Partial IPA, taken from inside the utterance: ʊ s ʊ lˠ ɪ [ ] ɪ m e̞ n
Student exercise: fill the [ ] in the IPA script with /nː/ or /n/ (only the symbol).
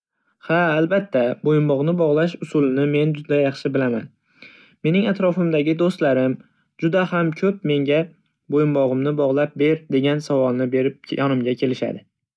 n